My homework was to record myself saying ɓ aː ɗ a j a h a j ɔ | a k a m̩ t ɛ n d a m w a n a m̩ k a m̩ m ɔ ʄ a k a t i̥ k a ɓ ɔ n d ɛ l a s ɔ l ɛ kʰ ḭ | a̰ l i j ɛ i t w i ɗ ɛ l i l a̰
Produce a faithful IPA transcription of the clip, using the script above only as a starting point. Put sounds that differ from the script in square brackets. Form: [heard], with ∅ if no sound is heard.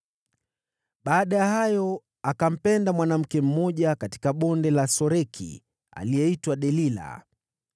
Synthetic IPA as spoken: ɓ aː ɗ a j a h a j ɔ | a k a m̩ [p] ɛ n d a m w a n a m̩ k [ɛ] m̩ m ɔ ʄ a k a t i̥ k a ɓ ɔ n d ɛ l a s ɔ [ɾ] ɛ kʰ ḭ | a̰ l i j ɛ i t w [a] ɗ ɛ l i l a̰